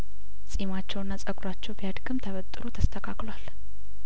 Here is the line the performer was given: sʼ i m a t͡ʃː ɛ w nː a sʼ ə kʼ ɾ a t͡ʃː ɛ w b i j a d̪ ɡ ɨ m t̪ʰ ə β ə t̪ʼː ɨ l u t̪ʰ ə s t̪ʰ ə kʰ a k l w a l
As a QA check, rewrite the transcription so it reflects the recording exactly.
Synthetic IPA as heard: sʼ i m a t͡ʃː ɛ w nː a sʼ ə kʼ ɾ a t͡ʃː ɛ w b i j a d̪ ɡ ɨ m t̪ʰ ə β ə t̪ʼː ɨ ɾ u t̪ʰ ə s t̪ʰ ə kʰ a k l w a l